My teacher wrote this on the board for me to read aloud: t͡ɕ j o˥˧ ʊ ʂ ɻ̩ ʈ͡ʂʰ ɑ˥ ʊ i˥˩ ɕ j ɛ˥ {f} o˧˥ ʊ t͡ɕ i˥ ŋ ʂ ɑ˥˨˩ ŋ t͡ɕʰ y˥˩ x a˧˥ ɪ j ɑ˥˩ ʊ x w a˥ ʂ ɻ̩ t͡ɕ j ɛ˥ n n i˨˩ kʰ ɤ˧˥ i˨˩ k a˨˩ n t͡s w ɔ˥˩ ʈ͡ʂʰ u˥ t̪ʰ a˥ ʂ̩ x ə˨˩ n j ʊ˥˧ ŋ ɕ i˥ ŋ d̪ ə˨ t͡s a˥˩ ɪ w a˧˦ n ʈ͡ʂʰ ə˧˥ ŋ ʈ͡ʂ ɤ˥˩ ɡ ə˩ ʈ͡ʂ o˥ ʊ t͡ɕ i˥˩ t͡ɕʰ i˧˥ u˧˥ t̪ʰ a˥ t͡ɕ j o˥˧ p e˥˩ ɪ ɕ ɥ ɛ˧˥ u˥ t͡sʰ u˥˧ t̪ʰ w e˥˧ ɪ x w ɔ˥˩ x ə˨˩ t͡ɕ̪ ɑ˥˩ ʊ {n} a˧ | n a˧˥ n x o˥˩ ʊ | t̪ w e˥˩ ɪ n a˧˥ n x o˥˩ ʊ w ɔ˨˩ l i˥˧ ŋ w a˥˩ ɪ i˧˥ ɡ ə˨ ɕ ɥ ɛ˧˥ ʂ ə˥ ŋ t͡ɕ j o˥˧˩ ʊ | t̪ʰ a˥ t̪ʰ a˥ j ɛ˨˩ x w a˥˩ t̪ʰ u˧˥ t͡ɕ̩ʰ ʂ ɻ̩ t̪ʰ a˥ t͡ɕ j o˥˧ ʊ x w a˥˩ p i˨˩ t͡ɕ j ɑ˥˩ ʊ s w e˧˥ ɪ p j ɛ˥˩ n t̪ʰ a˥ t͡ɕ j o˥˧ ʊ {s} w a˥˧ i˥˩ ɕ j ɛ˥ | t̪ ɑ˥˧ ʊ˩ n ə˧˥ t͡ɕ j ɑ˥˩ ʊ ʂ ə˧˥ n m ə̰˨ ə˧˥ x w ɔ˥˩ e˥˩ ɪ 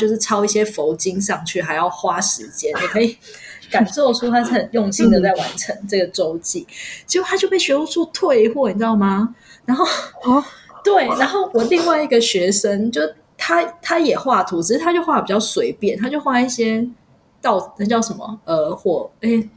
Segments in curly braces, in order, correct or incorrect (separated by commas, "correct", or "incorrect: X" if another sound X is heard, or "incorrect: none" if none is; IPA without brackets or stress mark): correct, incorrect: m, incorrect: x